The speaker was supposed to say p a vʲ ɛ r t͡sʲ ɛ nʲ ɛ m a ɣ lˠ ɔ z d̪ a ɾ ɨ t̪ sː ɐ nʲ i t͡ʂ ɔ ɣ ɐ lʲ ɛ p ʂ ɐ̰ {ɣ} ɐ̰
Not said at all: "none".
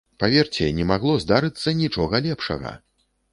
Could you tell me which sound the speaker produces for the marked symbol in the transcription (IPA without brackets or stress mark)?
ɣ